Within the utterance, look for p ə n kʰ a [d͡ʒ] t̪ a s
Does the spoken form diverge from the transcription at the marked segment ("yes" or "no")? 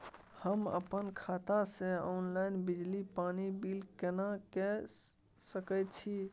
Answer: yes